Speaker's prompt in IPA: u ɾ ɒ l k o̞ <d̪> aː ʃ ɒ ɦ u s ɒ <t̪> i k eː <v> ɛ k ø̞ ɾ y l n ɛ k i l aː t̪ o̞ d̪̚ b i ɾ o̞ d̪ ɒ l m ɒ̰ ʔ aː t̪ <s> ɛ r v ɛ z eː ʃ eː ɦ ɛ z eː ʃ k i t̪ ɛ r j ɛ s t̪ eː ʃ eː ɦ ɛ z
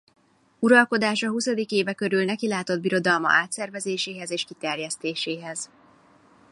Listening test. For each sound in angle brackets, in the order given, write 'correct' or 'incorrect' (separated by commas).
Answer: correct, incorrect, correct, correct